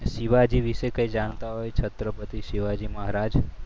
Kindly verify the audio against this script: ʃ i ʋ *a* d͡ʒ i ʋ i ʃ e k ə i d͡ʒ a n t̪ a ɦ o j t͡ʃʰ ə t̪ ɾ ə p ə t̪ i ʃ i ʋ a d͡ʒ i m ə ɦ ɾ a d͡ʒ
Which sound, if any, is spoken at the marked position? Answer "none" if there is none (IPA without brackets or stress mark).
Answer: a